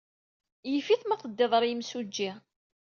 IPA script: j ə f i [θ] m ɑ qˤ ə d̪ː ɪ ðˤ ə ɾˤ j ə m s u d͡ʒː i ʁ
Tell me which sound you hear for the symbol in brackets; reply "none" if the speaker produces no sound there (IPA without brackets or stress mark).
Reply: θ